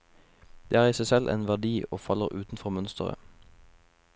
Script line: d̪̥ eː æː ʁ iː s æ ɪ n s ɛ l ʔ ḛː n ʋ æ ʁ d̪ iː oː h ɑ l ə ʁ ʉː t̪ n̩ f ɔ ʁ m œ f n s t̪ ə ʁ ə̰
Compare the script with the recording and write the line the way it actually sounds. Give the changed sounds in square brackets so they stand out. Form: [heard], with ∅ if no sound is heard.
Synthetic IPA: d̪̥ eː æː ʁ iː s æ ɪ [∅] s ɛ l ʔ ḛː n ʋ æ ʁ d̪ iː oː [f] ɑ l ə ʁ ʉː t̪ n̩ f ɔ ʁ m œ [∅] n s t̪ ə ʁ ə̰

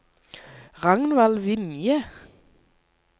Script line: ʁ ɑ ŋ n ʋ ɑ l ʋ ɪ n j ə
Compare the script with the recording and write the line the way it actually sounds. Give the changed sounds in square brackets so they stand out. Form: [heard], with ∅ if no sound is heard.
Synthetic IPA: ʁ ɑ ŋ n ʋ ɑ l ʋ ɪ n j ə

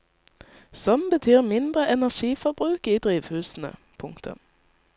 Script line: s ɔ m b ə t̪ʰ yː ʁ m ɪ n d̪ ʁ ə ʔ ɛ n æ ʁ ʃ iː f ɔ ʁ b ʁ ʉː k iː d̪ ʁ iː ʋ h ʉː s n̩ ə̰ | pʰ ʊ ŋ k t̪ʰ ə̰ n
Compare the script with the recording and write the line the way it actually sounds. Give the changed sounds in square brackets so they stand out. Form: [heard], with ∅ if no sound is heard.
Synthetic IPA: s ɔ m b ə t̪ʰ yː ʁ m ɪ n d̪ ʁ ə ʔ ɛ n æ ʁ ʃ iː f ɔ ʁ b ʁ ʉː k iː d̪ ʁ iː ʋ h ʉː s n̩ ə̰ | pʰ ʊ ŋ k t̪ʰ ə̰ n

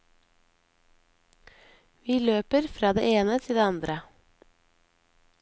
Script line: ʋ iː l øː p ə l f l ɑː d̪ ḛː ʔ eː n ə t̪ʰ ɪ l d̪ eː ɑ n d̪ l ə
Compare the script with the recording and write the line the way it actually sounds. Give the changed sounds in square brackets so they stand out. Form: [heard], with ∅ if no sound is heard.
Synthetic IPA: ʋ iː l øː p ə [ɾ] f [ɾ] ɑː d̪ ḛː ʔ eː n ə t̪ʰ ɪ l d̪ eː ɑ n d̪ [ɾ] ə

